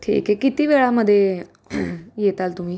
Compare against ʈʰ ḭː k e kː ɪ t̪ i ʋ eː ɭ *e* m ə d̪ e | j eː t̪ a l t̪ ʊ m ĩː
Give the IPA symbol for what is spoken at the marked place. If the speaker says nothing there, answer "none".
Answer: a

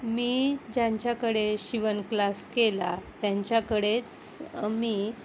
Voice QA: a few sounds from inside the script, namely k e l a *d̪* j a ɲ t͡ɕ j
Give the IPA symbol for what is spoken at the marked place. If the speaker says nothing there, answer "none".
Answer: t̪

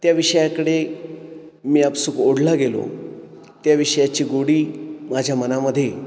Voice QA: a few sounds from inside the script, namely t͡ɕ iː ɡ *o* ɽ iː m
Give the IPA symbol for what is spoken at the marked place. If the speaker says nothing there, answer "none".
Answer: o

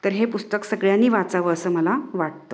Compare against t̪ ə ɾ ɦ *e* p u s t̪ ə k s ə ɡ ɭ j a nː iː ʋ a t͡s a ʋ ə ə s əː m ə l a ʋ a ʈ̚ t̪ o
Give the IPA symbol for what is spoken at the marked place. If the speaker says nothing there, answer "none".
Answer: e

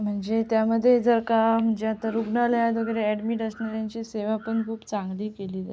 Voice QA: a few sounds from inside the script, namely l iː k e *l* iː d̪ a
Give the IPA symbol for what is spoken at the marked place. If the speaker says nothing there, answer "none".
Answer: l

